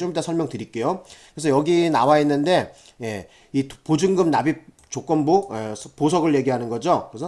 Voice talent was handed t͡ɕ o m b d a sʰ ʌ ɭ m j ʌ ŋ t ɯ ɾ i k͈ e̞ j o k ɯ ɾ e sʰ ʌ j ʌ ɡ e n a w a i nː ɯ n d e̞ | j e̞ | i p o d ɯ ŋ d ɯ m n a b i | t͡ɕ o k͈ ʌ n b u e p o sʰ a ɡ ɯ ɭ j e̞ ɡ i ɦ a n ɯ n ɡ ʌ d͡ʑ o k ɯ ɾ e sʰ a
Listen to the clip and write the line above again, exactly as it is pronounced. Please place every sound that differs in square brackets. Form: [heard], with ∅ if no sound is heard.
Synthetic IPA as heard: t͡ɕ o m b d a sʰ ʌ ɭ m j ʌ ŋ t ɯ ɾ i k͈ e̞ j o k ɯ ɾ e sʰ ʌ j ʌ ɡ [i] n a w a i nː ɯ n d e̞ | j e̞ | i p o [d͡ʑ] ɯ ŋ [ɡ] ɯ m n a b i | t͡ɕ o k͈ ʌ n b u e p o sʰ [ʌ] ɡ ɯ ɭ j e̞ ɡ i ɦ a n ɯ n ɡ ʌ d͡ʑ o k ɯ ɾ e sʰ [ʌ]